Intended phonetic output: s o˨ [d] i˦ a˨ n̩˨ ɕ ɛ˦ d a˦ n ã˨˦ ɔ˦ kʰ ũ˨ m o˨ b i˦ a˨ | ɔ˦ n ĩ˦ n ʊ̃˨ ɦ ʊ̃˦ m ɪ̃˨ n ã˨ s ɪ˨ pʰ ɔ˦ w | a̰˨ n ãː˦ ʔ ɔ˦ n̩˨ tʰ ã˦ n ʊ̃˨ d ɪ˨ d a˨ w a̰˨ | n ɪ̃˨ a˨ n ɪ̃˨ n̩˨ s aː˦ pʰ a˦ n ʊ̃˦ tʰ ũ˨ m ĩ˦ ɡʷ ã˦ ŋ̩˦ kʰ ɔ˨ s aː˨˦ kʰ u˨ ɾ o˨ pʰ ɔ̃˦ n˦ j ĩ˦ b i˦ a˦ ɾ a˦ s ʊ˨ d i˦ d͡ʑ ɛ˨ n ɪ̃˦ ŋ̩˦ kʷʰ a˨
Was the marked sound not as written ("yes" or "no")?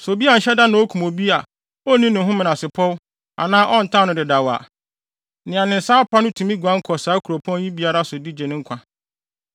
yes